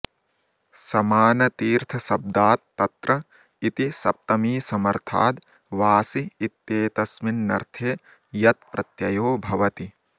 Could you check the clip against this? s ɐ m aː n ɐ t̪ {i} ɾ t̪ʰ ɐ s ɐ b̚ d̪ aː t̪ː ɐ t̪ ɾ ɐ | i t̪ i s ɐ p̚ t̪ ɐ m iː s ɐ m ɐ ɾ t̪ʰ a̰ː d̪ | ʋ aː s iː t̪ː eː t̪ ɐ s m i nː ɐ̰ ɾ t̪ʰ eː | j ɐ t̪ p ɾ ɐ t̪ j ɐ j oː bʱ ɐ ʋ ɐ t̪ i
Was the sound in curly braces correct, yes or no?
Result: no